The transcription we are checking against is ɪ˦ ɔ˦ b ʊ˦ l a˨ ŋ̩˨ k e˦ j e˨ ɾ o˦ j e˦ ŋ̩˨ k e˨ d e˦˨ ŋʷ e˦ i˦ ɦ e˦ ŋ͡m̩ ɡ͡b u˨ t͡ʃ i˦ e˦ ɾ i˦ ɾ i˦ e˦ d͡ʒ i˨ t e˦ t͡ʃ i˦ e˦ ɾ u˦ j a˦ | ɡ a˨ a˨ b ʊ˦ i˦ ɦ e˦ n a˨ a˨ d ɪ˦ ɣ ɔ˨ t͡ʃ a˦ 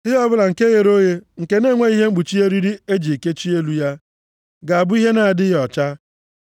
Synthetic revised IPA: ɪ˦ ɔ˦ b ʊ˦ l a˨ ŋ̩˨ k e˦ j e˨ ɾ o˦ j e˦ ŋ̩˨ k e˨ n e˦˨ ŋʷ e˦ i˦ ɦ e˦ ŋ͡m̩ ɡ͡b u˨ t͡ʃ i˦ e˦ ɾ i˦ ɾ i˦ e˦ d͡ʒ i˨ k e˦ t͡ʃ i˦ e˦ l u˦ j a˦ | ɡ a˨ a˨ b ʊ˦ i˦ ɦ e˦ n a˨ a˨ d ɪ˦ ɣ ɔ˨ t͡ʃ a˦